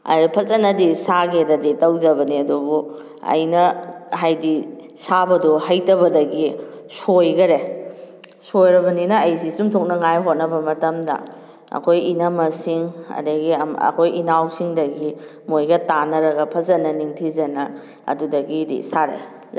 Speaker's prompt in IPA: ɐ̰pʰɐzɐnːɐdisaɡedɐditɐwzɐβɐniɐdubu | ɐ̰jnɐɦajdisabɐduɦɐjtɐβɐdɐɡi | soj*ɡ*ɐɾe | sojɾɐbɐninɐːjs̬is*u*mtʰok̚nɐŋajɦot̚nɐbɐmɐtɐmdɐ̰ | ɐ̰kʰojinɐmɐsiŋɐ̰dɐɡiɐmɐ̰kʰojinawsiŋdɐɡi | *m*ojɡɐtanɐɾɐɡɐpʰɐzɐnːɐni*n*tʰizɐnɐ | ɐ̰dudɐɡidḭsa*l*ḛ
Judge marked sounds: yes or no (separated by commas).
yes, yes, yes, no, no